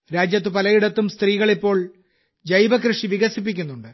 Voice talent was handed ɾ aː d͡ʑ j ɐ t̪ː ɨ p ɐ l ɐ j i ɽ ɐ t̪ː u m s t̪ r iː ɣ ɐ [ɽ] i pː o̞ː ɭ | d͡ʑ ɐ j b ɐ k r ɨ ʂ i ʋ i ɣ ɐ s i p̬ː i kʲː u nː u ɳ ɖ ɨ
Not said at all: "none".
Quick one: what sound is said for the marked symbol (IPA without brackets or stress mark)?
ɭ